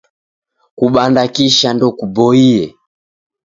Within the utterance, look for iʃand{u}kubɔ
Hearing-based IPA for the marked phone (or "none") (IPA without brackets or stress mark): ɔ